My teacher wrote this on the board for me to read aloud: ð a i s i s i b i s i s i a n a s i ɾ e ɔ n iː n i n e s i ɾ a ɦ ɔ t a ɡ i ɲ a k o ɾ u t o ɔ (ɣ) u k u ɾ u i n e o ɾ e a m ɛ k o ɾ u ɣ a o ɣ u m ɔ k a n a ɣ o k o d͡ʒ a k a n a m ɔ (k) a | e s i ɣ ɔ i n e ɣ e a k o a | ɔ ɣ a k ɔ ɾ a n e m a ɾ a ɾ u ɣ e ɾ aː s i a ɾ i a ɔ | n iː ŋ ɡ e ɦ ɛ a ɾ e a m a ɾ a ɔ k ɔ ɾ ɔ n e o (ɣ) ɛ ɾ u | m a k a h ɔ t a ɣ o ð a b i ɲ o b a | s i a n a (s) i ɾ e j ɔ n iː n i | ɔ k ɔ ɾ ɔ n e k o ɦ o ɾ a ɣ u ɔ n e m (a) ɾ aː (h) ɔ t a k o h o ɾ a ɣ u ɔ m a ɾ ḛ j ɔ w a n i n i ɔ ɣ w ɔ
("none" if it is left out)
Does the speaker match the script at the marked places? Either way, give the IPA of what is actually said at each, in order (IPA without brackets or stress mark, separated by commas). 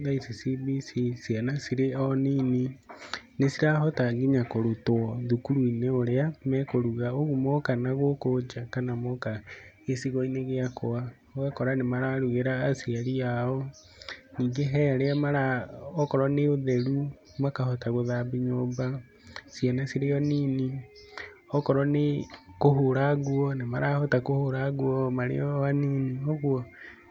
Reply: ð, k, ð, s, a, h